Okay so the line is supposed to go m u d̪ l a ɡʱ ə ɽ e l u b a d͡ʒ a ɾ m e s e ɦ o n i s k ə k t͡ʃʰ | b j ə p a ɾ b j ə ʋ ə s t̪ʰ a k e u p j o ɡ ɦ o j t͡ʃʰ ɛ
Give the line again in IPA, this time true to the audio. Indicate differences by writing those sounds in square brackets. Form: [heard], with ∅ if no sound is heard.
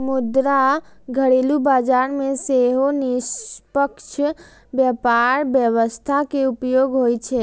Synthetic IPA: m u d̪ [ɾ] a ɡʱ ə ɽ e l u b a d͡ʒ a ɾ m e s e ɦ o n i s [p] ə k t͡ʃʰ | b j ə p a ɾ b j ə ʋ ə s t̪ʰ a k e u p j o ɡ ɦ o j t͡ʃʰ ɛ